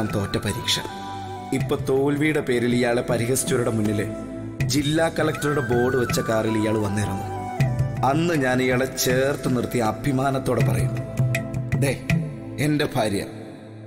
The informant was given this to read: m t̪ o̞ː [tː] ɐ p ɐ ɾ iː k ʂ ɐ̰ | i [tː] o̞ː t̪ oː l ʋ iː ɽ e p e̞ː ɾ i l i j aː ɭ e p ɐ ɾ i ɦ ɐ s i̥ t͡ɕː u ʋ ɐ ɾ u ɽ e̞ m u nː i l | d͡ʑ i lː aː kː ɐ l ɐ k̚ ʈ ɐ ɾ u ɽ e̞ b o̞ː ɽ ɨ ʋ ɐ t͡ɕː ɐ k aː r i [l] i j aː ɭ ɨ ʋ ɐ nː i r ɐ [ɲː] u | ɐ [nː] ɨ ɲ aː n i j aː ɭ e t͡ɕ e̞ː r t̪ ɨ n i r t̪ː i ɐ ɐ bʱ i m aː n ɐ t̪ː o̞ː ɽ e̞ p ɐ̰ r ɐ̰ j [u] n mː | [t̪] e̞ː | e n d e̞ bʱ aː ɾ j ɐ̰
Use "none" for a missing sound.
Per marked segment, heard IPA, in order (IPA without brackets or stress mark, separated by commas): tː, pː, l, nː, nː, u, d̪